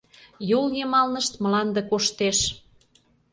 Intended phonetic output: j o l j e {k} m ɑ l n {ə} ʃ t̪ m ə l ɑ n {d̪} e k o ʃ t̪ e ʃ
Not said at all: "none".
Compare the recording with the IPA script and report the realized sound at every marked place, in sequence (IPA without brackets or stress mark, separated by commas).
none, ə, d̪